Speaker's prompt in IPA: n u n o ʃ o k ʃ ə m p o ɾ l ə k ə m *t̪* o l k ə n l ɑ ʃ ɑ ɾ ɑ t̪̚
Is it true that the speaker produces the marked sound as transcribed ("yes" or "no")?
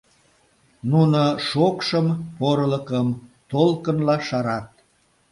yes